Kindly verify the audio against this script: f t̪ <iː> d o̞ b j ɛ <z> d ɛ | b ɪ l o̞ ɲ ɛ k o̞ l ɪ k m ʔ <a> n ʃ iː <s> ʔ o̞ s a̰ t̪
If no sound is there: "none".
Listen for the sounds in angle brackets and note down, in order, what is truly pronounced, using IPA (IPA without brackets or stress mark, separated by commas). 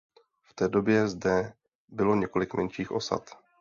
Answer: ɛː, z, ɛ, x